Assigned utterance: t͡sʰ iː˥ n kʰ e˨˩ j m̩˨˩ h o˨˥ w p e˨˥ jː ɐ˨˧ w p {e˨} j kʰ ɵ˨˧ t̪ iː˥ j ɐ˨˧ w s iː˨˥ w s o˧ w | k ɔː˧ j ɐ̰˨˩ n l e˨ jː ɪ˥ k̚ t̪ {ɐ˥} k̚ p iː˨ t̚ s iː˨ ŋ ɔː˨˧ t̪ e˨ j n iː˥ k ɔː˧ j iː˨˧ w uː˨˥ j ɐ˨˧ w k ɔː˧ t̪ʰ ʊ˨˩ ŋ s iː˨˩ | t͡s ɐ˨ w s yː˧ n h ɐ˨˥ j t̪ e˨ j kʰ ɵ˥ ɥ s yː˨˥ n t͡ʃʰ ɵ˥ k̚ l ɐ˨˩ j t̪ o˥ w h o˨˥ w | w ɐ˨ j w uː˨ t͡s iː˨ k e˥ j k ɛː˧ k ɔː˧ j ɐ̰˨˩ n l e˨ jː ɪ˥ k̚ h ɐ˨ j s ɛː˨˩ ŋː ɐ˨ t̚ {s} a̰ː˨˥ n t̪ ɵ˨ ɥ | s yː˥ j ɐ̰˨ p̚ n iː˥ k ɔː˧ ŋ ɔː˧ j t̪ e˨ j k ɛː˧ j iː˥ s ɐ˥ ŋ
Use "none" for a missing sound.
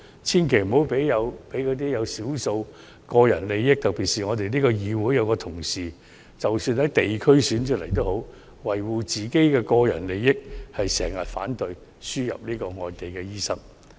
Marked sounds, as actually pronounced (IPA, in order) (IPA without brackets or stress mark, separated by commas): e˨˥, ɐ˨, f